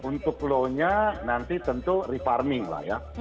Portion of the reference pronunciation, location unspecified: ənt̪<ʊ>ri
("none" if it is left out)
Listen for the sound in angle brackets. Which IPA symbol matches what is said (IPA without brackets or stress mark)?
u